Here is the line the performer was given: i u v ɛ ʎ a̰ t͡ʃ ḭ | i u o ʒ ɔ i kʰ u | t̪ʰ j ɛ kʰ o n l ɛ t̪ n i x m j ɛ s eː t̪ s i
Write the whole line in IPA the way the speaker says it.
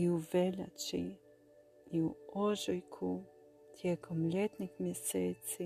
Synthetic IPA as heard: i u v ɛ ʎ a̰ t͡ʃ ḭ | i u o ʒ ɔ j kʰ u | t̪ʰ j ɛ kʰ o m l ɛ t̪ n i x m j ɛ s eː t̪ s i